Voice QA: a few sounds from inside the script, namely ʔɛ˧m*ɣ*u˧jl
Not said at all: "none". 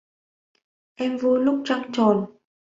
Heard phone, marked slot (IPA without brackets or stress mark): v